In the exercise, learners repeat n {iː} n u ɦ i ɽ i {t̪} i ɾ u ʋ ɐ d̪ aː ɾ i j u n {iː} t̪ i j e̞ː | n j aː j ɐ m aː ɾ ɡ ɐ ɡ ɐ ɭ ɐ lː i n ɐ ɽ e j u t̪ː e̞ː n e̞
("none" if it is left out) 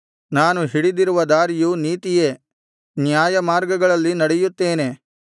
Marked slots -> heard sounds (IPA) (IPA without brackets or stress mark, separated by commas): aː, d̪, iː